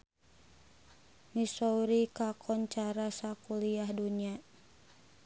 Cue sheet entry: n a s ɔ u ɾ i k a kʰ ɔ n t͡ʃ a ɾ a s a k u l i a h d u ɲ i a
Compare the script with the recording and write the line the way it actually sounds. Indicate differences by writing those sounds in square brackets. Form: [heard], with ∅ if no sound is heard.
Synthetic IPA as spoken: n [i] s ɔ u ɾ i k a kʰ ɔ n t͡ʃ a ɾ a s a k u l i a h d u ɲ i a

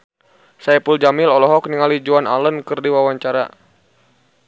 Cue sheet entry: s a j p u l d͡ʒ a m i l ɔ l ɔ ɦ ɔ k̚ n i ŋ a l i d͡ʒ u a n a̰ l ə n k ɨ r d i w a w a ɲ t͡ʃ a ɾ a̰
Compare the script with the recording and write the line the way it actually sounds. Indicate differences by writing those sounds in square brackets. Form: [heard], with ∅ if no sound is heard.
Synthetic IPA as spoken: s a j p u l d͡ʒ a m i l ɔ l ɔ ɦ ɔ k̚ n i ŋ a l i d͡ʒ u a n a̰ l ə n k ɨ r d i w a w a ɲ t͡ʃ a ɾ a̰

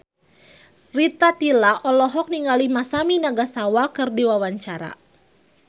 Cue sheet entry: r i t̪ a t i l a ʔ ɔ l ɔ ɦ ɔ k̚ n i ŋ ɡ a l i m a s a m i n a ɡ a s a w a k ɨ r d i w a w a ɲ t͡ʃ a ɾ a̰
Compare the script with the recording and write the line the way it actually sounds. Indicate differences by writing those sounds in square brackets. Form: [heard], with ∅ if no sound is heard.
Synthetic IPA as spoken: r i t̪ a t i l a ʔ ɔ l ɔ ɦ ɔ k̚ n i ŋ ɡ a l i m a s a m i n a ɡ a s a w a k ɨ r d i w a w a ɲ t͡ʃ a ɾ a̰

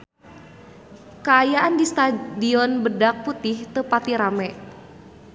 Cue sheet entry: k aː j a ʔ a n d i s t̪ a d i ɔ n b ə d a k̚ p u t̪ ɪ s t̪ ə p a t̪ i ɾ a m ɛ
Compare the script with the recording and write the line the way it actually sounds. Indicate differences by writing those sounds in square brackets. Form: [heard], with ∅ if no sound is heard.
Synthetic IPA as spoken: k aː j a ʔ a n d i s t̪ a d i ɔ n b ə d a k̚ p u t̪ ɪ [h] t̪ ə p a t̪ i ɾ a m ɛ

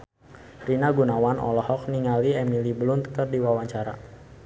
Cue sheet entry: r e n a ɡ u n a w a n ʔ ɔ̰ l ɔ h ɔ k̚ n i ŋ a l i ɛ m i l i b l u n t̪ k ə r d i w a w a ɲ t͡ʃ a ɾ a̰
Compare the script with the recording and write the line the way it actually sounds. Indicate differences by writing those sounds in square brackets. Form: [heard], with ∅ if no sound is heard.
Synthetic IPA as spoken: r [i] n a ɡ u n a w a n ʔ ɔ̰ l ɔ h ɔ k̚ n i ŋ a l i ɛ m i l i b l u n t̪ k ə r d i w a w a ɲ t͡ʃ a ɾ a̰

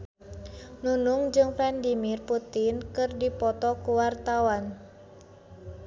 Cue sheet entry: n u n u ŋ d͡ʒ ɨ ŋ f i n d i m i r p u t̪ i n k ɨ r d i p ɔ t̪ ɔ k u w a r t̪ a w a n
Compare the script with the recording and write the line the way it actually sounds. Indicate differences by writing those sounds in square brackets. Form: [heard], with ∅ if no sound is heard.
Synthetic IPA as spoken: n u n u ŋ d͡ʒ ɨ ŋ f [ɛ] n d i m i r p u t̪ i n k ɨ r d i p ɔ t̪ ɔ k u w a r t̪ a w a n

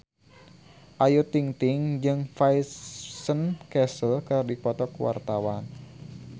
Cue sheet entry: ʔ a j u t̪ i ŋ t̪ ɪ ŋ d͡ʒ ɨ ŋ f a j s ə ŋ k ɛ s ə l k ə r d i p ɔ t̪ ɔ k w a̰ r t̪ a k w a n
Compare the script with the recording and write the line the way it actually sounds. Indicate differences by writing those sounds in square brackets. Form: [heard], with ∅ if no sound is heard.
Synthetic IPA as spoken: ʔ a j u t̪ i ŋ t̪ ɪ ŋ d͡ʒ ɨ ŋ f a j s ə [n] k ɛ s ə l k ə r d i p ɔ t̪ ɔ k w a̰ r t̪ a [∅] w a n

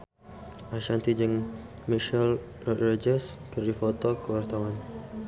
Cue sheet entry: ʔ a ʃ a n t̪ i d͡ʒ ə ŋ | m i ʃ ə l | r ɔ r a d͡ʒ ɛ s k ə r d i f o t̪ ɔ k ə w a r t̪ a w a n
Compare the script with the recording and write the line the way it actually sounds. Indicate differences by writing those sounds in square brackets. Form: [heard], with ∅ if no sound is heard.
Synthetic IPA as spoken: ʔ a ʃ a n t̪ i d͡ʒ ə ŋ | m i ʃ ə l | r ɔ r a d͡ʒ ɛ s k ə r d i f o t̪ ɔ k ə w a r t̪ a w a n

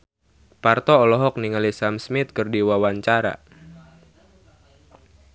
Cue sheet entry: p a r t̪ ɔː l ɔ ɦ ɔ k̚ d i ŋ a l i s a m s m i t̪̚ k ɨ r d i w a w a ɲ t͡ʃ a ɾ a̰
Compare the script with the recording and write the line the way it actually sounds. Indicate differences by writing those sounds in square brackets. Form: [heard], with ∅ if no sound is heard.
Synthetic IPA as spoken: p a r t̪ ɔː l ɔ ɦ ɔ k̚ [n] i ŋ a l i s a m s m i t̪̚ k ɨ r d i w a w a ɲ t͡ʃ a ɾ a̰

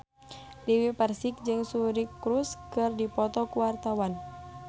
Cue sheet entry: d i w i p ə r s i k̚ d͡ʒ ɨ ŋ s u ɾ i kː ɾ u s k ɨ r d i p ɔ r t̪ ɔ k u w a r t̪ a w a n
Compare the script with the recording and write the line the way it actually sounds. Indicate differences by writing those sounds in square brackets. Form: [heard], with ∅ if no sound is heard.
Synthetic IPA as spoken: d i w i p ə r s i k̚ d͡ʒ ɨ ŋ s u ɾ i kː ɾ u s k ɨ r d i p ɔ [∅] t̪ ɔ k u w a r t̪ a w a n

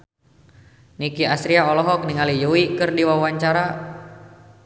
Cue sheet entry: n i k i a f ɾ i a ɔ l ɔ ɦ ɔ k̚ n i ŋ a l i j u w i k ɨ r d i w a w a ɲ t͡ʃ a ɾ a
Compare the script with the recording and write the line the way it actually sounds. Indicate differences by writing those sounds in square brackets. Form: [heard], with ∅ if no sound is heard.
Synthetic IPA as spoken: n i k i a [s] ɾ i a ɔ l ɔ ɦ ɔ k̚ n i ŋ a l i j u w i k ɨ r d i w a w a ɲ t͡ʃ a ɾ a

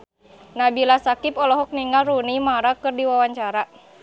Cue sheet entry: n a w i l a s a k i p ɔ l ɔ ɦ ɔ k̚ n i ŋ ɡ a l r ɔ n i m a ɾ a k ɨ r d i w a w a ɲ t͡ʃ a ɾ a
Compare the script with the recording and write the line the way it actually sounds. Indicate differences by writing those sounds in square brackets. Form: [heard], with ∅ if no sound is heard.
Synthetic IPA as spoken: n a [b] i l a s a k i p ɔ l ɔ ɦ ɔ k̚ n i ŋ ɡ a l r [u] n i m a ɾ a k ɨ r d i w a w a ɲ t͡ʃ a ɾ a

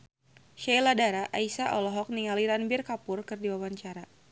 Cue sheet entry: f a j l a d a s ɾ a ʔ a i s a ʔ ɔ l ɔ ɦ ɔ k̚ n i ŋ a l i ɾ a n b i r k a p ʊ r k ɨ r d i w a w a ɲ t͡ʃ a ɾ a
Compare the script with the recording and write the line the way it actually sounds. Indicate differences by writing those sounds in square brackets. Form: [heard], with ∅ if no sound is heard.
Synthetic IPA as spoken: [ʃ] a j l a d a [∅] ɾ a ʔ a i s a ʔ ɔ l ɔ ɦ ɔ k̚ n i ŋ a l i ɾ a n b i r k a p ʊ r k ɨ r d i w a w a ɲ t͡ʃ a ɾ a

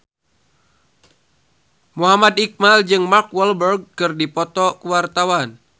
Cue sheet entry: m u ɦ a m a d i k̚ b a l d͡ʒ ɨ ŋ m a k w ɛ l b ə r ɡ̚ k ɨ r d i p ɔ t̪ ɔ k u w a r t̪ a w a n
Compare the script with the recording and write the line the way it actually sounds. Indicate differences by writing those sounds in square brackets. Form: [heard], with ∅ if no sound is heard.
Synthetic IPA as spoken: m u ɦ a m a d i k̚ [m] a l d͡ʒ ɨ ŋ m a k w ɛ l b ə r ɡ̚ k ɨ r d i p ɔ t̪ ɔ k u w a r t̪ a w a n

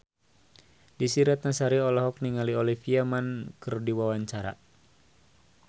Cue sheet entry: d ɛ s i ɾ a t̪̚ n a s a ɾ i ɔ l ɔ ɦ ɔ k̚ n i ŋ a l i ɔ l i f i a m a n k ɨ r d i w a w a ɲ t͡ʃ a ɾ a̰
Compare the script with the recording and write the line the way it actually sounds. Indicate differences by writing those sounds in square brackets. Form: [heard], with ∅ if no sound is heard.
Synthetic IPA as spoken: d [i] s i ɾ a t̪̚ n a s a ɾ i ɔ l ɔ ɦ ɔ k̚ n i ŋ a l i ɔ l i f i a m a n k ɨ r d i w a w a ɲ t͡ʃ a ɾ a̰

